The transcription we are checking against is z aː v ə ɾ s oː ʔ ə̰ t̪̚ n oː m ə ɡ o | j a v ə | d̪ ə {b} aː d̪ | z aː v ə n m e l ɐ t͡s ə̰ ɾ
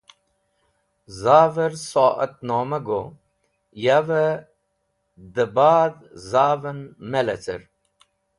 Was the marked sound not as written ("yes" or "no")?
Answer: no